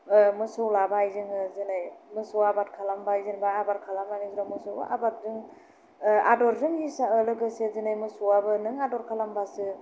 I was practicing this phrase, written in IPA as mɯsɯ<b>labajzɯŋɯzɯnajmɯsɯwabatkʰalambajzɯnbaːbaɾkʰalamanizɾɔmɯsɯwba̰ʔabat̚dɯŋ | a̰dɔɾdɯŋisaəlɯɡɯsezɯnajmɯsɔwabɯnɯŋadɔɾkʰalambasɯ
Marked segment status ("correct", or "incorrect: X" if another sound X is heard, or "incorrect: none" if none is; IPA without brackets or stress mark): incorrect: w